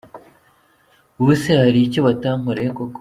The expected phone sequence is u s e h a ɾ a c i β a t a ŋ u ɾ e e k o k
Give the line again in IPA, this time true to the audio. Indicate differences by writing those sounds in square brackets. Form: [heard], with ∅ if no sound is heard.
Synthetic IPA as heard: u s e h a ɾ [i] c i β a t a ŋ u ɾ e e k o k